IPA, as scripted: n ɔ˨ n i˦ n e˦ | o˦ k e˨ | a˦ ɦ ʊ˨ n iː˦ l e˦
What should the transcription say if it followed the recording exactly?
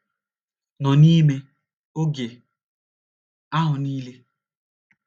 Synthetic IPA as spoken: n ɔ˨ n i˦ m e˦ | o˦ ɡ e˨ | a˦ ɦ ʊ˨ n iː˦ l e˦